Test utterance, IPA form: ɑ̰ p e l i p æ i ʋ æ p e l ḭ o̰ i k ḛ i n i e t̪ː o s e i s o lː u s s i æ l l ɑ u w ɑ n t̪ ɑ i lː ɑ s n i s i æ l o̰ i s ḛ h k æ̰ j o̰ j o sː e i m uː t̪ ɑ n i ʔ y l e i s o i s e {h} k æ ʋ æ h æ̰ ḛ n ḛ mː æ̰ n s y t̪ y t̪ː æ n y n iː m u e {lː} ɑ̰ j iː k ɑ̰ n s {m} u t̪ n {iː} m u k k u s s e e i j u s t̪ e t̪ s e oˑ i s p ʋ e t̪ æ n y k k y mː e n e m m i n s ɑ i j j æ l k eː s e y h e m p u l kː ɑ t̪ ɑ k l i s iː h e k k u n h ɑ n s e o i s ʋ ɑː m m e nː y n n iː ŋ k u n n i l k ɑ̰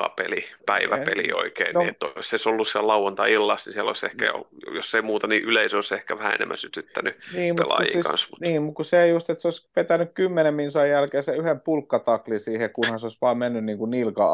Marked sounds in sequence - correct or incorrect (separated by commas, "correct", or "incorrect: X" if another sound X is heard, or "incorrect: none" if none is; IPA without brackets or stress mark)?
correct, incorrect: l, correct, correct